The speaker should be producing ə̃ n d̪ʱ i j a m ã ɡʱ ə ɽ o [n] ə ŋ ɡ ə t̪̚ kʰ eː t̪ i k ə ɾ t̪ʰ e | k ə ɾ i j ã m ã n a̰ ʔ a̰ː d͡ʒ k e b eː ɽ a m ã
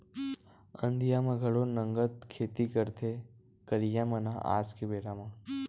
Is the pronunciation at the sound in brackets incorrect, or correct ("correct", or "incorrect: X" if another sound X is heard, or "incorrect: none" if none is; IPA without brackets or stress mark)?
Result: correct